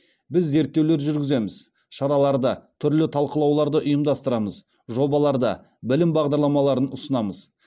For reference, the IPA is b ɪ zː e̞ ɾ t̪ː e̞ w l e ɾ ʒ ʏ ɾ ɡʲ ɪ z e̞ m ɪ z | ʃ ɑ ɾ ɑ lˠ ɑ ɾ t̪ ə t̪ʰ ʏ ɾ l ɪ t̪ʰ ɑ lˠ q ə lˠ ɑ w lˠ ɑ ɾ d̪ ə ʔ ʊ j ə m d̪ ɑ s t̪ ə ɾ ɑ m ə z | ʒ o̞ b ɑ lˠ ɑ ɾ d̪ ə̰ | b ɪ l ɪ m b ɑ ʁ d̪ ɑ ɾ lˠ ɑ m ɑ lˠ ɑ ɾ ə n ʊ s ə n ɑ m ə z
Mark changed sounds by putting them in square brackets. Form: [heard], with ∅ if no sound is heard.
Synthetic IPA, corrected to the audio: b ɪ zː e̞ ɾ t̪ː e̞ w l e ɾ ʒ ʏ ɾ ɡʲ ɪ z e̞ m ɪ z | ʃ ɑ ɾ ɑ lˠ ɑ ɾ [d̪] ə t̪ʰ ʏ ɾ l ɪ t̪ʰ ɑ lˠ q ə lˠ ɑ w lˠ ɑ ɾ d̪ ə ʔ ʊ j ə m d̪ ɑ s t̪ ə ɾ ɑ m ə z | ʒ o̞ b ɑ lˠ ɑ ɾ d̪ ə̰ | b ɪ l ɪ m b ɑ ʁ d̪ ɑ ɾ lˠ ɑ m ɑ lˠ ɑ ɾ ə n ʊ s ə n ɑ m ə z